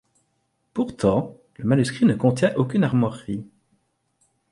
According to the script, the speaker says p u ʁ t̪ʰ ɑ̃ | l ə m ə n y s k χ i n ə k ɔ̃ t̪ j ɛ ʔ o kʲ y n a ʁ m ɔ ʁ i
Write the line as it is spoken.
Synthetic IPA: p u ʁ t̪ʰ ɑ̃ | l ə m a n y s k χ i n ə k ɔ̃ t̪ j ɛ̃ ʔ o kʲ y n a ʁ m ɔ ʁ i